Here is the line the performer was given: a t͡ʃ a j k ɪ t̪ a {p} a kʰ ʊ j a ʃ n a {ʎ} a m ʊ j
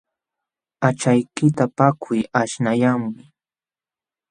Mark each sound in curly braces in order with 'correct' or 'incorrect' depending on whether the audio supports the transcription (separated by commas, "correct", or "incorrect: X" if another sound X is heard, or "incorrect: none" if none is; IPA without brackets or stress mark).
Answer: correct, incorrect: j